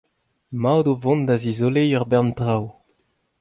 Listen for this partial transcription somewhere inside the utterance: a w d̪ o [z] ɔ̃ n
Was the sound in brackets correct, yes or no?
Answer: no